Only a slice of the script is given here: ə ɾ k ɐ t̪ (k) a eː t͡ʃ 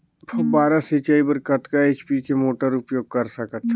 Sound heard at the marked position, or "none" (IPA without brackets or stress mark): k